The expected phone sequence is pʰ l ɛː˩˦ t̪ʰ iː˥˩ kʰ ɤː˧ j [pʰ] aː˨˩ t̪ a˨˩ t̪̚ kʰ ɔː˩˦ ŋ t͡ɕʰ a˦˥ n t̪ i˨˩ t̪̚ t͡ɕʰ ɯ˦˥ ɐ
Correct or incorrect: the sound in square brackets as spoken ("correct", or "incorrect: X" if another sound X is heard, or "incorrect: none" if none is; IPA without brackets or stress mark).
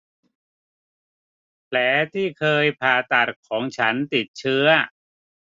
correct